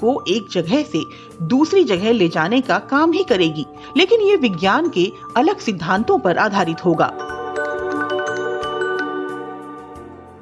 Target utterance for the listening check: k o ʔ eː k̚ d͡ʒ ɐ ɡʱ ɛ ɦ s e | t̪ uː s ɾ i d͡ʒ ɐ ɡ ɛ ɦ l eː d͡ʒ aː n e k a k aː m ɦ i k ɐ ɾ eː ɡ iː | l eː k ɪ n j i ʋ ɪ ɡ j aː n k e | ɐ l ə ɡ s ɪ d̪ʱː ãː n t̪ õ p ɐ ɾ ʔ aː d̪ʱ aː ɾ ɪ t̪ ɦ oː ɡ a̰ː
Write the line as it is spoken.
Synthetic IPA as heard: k o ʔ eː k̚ d͡ʒ ɐ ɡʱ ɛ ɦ s e | d̪ uː s ɾ i d͡ʒ ɐ ɡ ɛ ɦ l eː d͡ʒ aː n e k a k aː m ɦ i k ɐ ɾ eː ɡ iː | l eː k ɪ n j e ʋ ɪ ɡ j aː n k e | ɐ l ə ɡ s ɪ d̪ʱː ãː n t̪ õ p ɐ ɾ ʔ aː d̪ʱ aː ɾ ɪ t̪ ɦ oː ɡ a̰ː

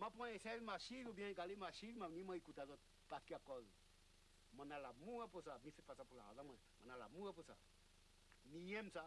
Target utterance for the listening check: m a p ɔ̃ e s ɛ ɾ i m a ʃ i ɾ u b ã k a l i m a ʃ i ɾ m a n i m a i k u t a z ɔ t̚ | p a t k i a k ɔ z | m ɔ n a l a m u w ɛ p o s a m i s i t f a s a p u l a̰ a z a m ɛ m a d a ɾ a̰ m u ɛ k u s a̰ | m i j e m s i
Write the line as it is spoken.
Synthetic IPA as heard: m a p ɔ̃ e s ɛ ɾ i m a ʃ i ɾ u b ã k a l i m a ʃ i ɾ m a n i m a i k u t a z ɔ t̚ | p a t k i a k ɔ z | m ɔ n a l a m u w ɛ p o s a m i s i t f a s a p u l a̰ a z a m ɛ m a n a l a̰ m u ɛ p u s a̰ | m i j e m s a

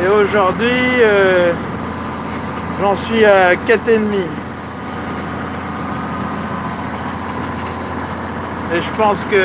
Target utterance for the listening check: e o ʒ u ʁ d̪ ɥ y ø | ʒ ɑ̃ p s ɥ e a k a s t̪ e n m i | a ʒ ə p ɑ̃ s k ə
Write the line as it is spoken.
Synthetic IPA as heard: e o ʒ u ʁ d̪ ɥ i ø | ʒ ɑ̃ s ɥ i a k a t̪ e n m i | e ʒ ə p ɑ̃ s k ə

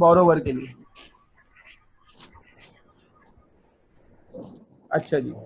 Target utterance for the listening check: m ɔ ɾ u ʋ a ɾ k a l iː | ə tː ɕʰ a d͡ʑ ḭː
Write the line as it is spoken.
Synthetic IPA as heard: b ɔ ɾ o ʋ ə ɾ k e l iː | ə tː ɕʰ a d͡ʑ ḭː

